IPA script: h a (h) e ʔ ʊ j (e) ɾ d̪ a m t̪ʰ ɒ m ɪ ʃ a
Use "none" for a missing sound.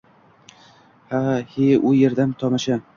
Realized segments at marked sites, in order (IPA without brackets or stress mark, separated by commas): h, e